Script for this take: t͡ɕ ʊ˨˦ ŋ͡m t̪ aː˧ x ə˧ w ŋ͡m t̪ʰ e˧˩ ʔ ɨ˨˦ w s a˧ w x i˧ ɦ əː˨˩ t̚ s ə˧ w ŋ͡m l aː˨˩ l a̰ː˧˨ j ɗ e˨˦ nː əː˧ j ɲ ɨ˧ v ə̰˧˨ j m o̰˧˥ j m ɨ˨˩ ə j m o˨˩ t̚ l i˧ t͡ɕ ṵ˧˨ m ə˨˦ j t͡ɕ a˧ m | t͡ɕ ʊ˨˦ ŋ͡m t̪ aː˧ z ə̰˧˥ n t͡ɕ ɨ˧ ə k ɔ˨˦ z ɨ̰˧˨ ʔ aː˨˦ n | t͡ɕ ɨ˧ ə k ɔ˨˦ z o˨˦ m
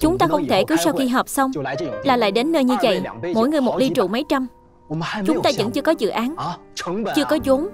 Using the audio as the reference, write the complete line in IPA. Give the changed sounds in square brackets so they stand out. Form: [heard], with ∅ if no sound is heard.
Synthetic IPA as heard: t͡ɕ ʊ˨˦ ŋ͡m t̪ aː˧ x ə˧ w ŋ͡m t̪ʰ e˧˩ [k] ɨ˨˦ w s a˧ w x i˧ ɦ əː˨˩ [p̚] s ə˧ w ŋ͡m l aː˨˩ l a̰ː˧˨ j ɗ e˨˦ nː əː˧ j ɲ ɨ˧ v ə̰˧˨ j m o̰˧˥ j [ŋ] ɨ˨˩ ə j m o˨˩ t̚ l i˧ t͡ɕ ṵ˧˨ m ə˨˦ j t͡ɕ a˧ m | t͡ɕ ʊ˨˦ ŋ͡m t̪ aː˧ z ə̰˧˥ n t͡ɕ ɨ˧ ə k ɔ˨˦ z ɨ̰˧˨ ʔ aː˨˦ n | t͡ɕ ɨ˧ ə k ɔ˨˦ z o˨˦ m